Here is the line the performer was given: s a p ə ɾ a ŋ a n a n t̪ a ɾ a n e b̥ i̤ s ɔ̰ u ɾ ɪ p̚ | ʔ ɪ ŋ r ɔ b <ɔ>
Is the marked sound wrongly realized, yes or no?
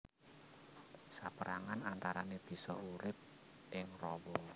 no